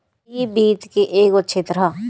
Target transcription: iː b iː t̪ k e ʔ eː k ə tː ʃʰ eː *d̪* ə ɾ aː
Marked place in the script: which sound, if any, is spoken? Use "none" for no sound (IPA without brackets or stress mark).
t̪